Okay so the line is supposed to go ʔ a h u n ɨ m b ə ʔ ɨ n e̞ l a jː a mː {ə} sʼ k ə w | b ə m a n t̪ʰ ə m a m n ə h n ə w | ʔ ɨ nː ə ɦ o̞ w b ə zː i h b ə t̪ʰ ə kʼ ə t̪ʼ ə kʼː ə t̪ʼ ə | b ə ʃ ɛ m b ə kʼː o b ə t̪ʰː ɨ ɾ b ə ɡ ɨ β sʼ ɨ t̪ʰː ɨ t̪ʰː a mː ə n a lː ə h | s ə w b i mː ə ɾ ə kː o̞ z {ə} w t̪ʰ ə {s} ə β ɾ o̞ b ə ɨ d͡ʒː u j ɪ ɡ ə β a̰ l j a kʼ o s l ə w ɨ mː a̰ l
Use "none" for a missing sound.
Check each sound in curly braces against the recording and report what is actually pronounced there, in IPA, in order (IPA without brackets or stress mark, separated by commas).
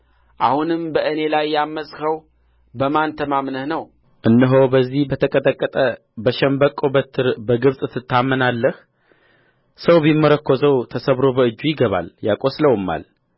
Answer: ə, ə, s